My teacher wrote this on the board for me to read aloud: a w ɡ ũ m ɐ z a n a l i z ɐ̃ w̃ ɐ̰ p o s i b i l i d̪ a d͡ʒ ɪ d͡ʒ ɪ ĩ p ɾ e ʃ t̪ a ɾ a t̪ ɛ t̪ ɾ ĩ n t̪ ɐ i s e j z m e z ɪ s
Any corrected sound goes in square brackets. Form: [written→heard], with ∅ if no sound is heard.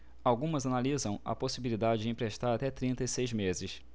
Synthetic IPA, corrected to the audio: a w ɡ ũ m ɐ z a n a l i z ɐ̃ w̃ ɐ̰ p o s i b i l i d̪ a d͡ʒ ɪ d͡ʒ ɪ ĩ p ɾ e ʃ t̪ a ɾ a t̪ ɛ t̪ ɾ ĩ n t̪ ɐ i s e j z m e z ɪ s